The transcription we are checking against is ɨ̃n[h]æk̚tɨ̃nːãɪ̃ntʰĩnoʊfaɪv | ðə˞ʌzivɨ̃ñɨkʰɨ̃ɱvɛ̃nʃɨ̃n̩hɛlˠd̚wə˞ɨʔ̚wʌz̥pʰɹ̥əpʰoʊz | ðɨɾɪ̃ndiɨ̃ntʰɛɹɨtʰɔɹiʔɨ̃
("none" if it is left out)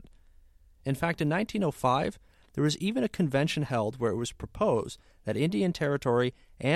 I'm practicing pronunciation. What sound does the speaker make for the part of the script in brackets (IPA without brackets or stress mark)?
f